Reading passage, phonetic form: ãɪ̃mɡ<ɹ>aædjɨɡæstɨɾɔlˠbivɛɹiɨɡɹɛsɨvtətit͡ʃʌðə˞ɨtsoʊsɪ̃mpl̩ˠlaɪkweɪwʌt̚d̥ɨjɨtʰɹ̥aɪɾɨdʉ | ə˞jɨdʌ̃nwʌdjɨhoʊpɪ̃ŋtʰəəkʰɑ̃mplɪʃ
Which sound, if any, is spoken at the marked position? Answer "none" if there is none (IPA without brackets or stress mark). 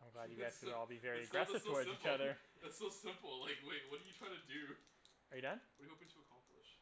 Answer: l